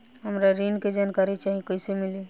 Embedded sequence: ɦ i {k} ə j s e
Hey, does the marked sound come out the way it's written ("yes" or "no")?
yes